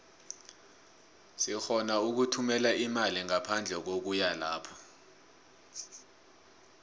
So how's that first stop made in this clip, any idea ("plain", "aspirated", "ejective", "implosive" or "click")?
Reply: plain